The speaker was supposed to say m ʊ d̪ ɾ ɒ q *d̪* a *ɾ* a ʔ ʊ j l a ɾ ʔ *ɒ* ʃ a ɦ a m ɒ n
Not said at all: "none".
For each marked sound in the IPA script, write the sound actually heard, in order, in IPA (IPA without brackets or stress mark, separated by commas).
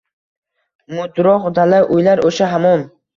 d̪, l, o